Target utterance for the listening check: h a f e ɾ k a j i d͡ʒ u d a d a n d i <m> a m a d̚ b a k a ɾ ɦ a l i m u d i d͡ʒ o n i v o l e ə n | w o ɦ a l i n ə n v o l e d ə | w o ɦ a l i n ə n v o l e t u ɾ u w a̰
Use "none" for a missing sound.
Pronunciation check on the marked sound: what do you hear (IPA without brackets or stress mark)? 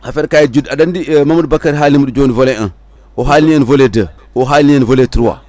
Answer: m